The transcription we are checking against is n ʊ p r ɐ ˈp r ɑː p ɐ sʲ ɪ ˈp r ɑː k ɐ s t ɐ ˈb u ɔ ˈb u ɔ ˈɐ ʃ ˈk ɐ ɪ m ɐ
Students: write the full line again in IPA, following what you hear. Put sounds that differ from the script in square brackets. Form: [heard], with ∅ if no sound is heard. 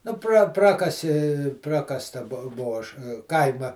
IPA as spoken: n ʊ p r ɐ ˈp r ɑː [k] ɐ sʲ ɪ ˈp r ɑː k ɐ s t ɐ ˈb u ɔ ˈb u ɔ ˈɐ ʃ ˈk ɐ ɪ m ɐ